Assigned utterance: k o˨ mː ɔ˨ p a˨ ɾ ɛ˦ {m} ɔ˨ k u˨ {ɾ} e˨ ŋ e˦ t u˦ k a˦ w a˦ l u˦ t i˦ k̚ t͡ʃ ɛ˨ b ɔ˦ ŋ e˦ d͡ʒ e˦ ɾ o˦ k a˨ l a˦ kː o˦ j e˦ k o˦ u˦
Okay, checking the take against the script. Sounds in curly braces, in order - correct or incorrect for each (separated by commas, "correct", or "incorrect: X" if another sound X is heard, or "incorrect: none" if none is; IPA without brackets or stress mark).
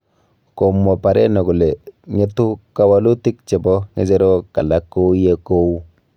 incorrect: n, incorrect: l